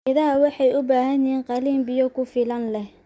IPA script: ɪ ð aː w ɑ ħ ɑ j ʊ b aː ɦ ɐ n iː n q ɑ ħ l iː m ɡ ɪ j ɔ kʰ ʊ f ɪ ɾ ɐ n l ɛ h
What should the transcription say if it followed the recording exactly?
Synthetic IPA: ɪ ð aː w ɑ ħ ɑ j ʊ b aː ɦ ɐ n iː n q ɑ l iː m b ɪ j ɔ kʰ ʊ f ɪ l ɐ n l ɛ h